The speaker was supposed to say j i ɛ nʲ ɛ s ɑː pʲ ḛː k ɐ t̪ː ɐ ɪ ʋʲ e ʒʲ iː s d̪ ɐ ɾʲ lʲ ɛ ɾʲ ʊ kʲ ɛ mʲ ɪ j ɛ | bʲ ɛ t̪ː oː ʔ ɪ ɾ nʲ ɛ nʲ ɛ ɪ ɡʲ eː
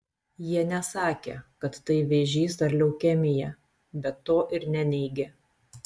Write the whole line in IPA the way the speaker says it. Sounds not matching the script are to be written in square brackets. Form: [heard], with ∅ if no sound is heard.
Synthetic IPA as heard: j i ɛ nʲ ɛ s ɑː [kʲ] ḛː k ɐ t̪ː ɐ ɪ ʋʲ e ʒʲ iː s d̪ ɐ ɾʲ lʲ ɛ [∅] ʊ kʲ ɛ mʲ ɪ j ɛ | bʲ ɛ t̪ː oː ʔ ɪ ɾ nʲ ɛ nʲ ɛ ɪ ɡʲ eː